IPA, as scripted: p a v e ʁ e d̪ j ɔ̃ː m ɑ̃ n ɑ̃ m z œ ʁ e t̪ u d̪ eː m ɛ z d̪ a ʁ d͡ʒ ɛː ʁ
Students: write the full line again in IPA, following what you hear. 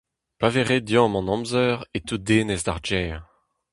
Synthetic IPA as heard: p a v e ʁ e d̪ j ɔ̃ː m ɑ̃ n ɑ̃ m z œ ʁ e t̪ u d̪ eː n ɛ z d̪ a ʁ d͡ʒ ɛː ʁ